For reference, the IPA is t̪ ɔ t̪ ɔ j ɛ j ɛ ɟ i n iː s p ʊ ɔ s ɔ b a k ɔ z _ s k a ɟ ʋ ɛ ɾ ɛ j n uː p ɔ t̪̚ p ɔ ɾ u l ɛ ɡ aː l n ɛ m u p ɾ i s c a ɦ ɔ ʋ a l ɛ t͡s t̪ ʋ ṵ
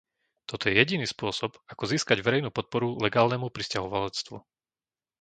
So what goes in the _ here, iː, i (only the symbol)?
iː